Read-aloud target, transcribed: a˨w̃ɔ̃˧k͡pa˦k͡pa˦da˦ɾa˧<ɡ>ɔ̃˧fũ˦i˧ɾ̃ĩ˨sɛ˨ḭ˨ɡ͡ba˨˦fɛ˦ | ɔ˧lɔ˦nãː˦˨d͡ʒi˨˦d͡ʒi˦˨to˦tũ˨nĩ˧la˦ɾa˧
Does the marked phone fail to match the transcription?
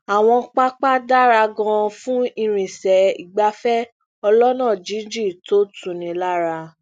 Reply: no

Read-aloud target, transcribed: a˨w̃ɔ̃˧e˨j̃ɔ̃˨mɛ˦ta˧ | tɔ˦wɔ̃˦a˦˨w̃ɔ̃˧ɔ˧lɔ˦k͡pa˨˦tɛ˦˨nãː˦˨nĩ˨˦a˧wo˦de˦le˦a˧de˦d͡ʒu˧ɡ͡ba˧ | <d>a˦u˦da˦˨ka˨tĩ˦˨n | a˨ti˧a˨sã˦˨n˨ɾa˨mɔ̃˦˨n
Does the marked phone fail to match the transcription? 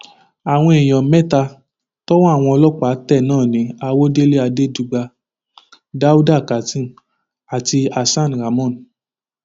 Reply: no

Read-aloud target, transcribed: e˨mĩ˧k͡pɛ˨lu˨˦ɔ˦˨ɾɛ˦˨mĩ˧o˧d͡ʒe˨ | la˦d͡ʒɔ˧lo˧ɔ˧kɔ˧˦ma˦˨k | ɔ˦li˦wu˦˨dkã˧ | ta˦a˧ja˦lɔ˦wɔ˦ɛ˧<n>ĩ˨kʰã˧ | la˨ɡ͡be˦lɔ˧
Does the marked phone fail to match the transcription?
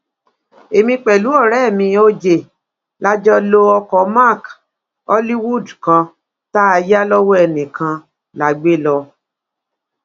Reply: no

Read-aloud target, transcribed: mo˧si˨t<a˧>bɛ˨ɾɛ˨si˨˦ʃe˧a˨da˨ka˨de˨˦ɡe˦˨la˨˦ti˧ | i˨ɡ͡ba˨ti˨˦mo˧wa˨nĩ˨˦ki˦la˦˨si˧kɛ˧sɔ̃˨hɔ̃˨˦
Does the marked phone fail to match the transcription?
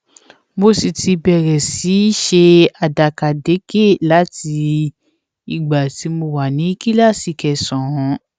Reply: yes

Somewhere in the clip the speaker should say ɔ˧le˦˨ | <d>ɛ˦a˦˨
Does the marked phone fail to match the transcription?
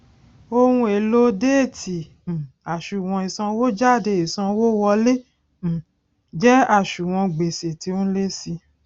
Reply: yes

